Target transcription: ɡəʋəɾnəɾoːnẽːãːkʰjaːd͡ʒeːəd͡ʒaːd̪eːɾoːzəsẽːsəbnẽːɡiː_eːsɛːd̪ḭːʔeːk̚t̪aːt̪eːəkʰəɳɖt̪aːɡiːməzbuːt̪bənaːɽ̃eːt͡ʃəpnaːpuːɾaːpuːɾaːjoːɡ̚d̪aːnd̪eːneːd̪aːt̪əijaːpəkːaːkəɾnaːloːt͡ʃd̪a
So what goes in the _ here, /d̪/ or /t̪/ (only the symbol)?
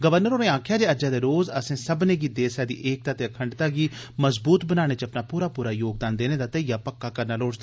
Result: d̪